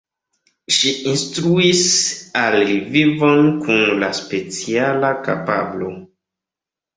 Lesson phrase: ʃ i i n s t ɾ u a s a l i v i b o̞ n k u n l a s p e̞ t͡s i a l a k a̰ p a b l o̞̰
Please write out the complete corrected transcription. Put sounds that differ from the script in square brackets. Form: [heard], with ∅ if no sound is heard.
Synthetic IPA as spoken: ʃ i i n s t ɾ u [i] s a l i v i [v] o̞ n k u n l a s p e̞ t͡s i a l a k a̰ p a b l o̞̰